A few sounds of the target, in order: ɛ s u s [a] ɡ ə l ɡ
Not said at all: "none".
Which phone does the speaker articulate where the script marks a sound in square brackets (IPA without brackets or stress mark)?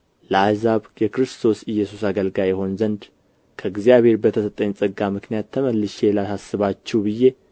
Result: a